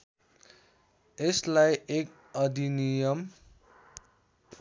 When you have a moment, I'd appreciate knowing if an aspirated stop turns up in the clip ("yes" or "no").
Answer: no